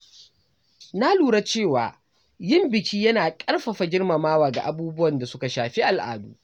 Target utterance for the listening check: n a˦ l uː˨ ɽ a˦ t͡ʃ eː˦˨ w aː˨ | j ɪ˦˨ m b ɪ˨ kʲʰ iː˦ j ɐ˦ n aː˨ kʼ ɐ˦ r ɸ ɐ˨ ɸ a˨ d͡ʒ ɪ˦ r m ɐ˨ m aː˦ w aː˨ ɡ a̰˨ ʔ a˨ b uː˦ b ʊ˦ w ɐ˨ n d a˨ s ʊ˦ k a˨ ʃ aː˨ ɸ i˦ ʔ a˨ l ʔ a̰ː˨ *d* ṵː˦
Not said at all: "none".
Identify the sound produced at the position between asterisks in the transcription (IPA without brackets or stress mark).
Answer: d